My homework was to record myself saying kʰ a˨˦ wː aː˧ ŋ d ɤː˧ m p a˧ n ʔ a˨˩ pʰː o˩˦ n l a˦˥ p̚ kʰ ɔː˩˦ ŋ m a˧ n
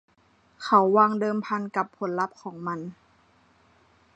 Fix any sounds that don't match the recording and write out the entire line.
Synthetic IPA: kʰ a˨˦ wː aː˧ ŋ d ɤː˧ m pʰ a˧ n k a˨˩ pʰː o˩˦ n l a˦˥ p̚ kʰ ɔː˩˦ ŋ m a˧ n